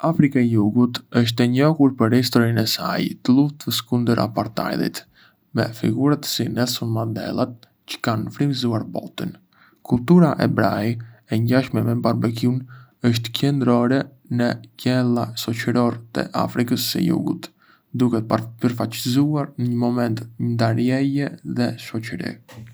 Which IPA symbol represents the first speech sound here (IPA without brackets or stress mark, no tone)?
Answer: a